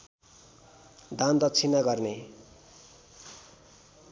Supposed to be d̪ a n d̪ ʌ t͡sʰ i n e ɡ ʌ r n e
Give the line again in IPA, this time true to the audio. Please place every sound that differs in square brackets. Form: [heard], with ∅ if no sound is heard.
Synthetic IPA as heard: d̪ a n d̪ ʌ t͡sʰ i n [a] ɡ ʌ r n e